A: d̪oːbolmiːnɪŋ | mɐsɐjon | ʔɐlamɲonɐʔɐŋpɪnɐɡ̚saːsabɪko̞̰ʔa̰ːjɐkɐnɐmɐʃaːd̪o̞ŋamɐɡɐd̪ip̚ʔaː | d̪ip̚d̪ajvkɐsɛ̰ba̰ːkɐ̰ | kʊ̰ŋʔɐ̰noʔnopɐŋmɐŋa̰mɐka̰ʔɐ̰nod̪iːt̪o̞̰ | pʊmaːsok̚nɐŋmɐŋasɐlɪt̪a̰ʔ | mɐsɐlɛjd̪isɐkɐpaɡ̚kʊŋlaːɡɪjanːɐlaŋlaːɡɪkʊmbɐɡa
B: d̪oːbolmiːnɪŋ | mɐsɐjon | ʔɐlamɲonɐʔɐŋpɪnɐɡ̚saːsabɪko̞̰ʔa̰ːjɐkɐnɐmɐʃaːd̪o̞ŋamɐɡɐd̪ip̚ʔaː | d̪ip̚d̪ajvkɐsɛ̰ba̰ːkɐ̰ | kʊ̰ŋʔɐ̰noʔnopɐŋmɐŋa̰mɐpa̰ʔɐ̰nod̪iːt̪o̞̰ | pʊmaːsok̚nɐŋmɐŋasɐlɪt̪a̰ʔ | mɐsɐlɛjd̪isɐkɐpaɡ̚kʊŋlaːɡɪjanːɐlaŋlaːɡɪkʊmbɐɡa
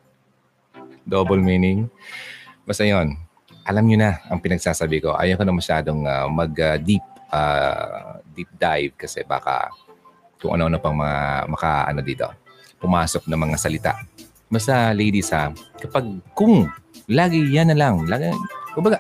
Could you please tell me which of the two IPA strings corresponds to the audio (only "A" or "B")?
A